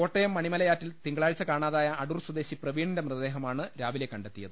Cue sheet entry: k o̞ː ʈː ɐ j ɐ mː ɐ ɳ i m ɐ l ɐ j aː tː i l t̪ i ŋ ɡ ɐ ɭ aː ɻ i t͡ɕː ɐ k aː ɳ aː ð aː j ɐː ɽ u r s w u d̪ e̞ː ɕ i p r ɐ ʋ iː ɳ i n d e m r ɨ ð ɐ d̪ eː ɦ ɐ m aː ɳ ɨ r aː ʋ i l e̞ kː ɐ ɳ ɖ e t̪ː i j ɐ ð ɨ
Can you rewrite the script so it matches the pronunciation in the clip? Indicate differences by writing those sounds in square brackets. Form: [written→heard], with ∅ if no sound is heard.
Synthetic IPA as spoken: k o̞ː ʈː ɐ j ɐ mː ɐ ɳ i m ɐ l ɐ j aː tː i l t̪ i ŋ ɡ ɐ ɭ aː ɻ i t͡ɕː ɐ k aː ɳ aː ð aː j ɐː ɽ u r s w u d̪ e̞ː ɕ i p r ɐ ʋ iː ɳ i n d e m r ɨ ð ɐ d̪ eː ɦ ɐ m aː ɳ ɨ [r→ɾ] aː ʋ i l e̞ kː ɐ ɳ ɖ e t̪ː i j ɐ ð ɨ